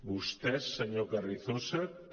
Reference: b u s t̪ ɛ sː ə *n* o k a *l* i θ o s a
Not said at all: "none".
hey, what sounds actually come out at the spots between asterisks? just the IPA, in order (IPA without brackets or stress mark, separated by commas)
ɲ, r